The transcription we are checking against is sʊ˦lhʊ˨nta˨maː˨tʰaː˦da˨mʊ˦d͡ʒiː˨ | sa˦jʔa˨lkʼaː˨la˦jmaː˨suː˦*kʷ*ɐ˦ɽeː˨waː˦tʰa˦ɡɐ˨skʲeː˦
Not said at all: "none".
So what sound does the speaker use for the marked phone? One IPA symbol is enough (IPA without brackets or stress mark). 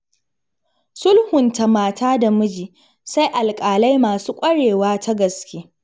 kʷʼ